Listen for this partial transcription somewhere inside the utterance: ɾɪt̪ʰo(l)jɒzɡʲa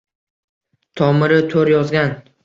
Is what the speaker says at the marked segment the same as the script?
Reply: no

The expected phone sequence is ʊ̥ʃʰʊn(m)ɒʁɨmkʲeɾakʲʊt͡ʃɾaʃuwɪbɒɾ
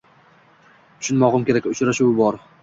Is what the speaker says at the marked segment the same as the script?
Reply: yes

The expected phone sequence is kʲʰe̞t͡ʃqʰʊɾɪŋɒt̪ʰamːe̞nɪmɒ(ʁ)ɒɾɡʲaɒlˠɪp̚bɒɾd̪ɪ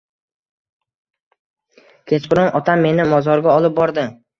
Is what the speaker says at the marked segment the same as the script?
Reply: no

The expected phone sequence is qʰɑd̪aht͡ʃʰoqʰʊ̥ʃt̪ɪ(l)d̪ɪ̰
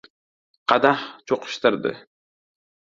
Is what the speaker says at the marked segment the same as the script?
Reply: no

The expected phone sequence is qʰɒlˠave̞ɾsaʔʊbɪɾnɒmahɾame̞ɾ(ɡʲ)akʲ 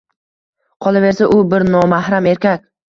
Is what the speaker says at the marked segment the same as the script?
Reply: no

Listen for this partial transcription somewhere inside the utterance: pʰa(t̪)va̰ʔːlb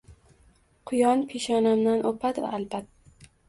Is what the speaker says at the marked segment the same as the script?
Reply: yes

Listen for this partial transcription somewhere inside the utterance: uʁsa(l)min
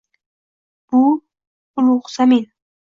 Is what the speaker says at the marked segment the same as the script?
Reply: no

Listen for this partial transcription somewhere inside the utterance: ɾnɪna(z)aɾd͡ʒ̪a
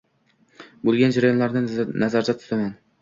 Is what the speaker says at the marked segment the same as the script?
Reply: yes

